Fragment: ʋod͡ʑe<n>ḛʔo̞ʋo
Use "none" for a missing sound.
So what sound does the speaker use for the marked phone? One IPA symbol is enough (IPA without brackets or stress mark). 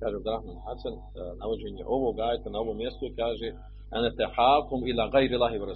ɲ